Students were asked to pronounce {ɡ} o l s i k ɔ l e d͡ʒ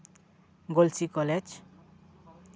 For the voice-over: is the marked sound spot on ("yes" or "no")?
yes